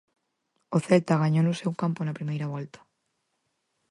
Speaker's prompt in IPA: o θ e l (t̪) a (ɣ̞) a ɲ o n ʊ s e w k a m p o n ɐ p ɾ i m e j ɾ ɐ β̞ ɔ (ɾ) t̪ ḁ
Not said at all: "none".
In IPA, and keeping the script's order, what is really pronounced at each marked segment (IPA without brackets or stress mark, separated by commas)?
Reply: t̪, ɣ̞, l